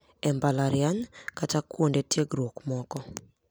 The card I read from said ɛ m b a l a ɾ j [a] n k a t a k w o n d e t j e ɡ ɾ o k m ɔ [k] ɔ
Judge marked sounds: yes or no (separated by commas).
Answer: yes, yes